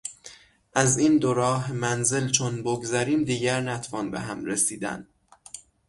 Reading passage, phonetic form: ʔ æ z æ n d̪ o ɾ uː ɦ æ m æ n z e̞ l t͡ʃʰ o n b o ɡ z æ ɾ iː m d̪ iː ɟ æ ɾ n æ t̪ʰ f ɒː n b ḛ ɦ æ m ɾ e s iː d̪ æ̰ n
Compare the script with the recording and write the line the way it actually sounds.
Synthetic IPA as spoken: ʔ æ z i n d̪ o ɾ ɒː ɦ e m æ n z e̞ l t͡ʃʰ o n b o ɡ z æ ɾ iː m d̪ iː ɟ æ ɾ n æ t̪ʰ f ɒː n b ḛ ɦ æ m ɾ e s iː d̪ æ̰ n